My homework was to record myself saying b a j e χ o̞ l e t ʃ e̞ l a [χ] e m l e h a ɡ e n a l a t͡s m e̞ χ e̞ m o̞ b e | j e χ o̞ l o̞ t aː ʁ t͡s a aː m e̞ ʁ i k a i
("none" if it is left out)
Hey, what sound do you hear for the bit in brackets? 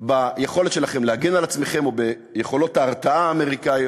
χ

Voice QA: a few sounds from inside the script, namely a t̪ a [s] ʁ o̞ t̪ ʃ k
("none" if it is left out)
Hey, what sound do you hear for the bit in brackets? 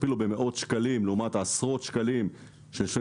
s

